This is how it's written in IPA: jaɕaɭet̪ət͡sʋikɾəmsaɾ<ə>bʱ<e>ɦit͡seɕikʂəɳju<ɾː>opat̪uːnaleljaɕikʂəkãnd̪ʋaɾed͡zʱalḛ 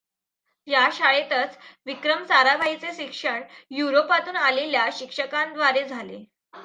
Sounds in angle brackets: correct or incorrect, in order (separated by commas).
incorrect, incorrect, incorrect